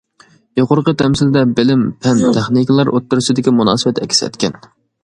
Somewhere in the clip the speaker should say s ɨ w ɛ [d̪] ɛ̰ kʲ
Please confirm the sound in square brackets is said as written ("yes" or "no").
no